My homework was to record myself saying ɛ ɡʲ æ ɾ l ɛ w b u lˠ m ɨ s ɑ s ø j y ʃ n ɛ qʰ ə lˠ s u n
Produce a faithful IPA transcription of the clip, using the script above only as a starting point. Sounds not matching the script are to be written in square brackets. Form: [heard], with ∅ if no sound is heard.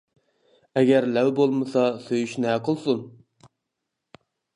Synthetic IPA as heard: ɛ ɡʲ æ ɾ l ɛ w b [o] lˠ m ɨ s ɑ s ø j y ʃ n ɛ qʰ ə lˠ s u n